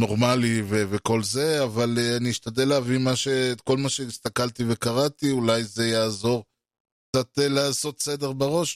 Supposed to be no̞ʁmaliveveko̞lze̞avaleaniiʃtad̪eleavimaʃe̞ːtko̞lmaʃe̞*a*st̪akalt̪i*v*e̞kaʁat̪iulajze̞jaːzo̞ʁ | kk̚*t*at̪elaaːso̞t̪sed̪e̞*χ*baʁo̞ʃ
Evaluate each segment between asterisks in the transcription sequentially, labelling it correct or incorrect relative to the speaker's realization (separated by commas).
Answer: incorrect, correct, incorrect, incorrect